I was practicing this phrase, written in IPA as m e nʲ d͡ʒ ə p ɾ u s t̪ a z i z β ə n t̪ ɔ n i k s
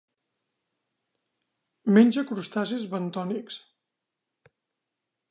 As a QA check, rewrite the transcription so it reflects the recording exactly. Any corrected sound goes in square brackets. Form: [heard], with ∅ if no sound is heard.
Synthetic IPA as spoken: m e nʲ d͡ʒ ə [k] ɾ u s t̪ a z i z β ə n t̪ ɔ n i k s